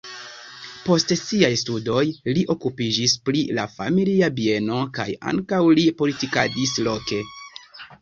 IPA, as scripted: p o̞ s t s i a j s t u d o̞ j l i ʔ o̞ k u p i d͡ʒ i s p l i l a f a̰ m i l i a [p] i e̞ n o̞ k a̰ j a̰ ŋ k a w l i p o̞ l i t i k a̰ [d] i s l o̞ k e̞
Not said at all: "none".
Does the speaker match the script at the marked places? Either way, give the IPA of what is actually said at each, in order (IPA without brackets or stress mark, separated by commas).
b, d